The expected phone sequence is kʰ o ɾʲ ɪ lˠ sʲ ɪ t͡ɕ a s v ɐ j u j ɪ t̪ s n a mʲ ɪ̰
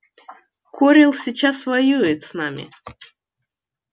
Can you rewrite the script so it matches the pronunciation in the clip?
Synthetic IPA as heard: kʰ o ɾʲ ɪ lˠ sʲ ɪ t͡ɕ a s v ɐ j u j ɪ t̪ s n a mʲ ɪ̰